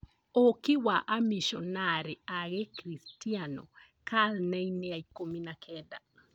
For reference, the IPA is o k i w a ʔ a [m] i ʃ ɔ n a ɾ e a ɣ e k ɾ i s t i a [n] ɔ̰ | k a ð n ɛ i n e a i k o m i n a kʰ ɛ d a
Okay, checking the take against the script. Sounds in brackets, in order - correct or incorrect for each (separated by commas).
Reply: correct, correct